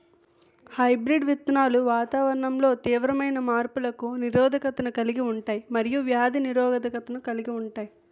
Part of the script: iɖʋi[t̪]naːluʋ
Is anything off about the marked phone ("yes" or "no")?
no